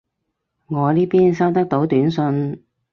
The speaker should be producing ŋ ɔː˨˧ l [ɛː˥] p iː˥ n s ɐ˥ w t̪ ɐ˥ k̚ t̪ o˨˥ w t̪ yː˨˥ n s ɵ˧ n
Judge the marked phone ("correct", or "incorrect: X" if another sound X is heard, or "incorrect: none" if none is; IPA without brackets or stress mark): incorrect: iː˥